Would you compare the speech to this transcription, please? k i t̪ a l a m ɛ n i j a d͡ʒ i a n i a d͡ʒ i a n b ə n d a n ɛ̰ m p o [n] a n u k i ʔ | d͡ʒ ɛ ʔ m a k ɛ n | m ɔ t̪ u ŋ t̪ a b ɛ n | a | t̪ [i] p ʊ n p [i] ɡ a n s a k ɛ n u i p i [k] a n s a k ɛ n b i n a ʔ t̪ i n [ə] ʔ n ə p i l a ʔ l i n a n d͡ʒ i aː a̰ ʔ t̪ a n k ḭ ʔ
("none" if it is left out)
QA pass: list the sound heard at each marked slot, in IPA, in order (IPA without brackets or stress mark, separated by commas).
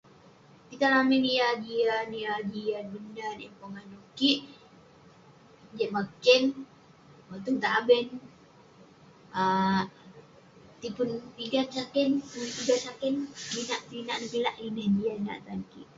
ŋ, i, i, ɡ, a